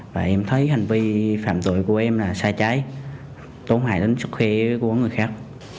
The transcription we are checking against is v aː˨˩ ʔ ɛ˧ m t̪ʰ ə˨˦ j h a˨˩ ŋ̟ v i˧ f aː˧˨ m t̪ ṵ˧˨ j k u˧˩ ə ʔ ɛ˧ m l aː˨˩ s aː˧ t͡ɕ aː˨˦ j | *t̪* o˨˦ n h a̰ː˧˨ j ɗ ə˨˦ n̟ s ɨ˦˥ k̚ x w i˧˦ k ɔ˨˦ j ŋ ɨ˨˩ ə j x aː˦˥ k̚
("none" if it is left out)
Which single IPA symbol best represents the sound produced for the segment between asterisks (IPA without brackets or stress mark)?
t̪